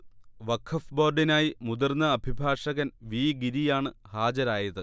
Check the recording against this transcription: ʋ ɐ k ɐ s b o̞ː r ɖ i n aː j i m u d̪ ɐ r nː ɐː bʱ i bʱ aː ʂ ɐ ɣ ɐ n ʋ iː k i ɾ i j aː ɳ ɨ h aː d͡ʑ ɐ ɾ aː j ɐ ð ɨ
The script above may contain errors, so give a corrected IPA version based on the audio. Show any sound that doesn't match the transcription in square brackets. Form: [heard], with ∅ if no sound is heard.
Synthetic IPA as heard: ʋ ɐ [kʰ] ɐ [f] b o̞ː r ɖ i n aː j i m u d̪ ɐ r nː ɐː bʱ i bʱ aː ʂ ɐ ɣ ɐ n ʋ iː [ɡ] i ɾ i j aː ɳ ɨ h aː d͡ʑ ɐ ɾ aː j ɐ ð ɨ